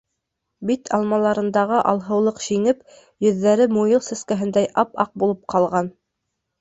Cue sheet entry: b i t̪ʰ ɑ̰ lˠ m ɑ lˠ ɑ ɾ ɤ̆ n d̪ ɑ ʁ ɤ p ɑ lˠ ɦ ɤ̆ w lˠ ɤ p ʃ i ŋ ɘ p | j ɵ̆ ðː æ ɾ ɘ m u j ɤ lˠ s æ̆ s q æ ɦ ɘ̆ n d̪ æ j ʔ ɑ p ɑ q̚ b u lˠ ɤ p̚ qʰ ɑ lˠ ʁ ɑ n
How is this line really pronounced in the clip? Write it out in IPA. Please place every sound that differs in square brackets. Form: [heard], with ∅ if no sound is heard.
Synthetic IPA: b i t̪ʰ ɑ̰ lˠ m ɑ lˠ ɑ ɾ ɤ̆ n d̪ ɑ ʁ ɤ [ʔ] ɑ lˠ ɦ ɤ̆ w lˠ ɤ [q] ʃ i ŋ ɘ p | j ɵ̆ ðː æ ɾ ɘ m u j ɤ lˠ s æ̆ s [k] æ ɦ ɘ̆ n d̪ æ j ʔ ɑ p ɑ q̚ b u lˠ ɤ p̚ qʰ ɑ lˠ ʁ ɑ n